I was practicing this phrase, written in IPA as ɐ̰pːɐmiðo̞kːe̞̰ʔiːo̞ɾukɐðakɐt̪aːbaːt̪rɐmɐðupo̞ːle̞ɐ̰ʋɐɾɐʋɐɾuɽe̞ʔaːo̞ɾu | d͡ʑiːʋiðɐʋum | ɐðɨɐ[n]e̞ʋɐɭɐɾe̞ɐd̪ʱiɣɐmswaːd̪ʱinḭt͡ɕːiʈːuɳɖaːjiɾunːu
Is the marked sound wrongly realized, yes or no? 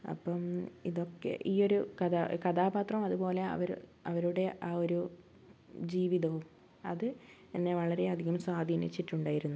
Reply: yes